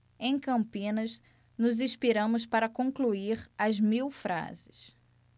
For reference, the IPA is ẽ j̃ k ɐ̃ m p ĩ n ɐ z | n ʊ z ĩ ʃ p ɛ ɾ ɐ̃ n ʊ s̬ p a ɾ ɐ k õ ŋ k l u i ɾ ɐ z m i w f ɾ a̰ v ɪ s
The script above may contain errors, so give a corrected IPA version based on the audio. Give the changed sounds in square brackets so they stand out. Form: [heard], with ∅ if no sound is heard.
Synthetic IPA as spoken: ẽ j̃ k ɐ̃ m p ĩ n ɐ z | n ʊ z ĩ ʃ p [i] ɾ ɐ̃ [m] ʊ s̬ p a ɾ ɐ k õ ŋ k l u i ɾ ɐ z m i w f ɾ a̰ [z] ɪ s